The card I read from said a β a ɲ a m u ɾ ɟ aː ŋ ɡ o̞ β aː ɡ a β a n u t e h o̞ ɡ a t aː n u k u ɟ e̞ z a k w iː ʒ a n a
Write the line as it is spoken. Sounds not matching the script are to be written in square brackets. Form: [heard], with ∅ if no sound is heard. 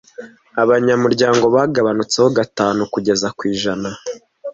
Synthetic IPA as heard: a β a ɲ a m u ɾ ɟ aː ŋ ɡ o̞ β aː ɡ a β a n u [t͡s] e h o̞ ɡ a t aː n u k u ɟ e̞ z a k w iː ʒ a n a